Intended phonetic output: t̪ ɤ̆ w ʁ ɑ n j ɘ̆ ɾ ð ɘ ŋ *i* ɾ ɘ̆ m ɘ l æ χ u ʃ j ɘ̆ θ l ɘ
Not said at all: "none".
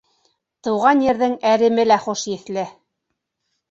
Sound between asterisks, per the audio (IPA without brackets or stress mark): æ